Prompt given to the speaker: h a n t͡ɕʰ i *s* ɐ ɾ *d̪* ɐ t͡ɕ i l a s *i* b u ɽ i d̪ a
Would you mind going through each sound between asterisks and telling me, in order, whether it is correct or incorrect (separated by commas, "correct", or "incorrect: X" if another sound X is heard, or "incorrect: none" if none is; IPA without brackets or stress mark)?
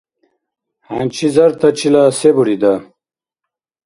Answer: incorrect: z, incorrect: t̪, incorrect: e